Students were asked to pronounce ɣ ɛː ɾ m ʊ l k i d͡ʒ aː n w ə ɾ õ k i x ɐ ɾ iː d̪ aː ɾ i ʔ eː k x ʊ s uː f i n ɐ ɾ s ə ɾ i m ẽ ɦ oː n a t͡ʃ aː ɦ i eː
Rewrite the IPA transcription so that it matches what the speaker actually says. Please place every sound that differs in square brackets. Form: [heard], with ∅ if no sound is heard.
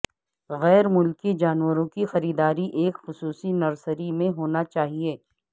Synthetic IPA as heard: ɣ ɛː ɾ m ʊ l k i d͡ʒ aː n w ə ɾ õ k i x ɐ ɾ iː d̪ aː ɾ i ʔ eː k x ʊ s uː [s] i n ɐ ɾ s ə ɾ i m ẽ ɦ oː n a t͡ʃ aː ɦ i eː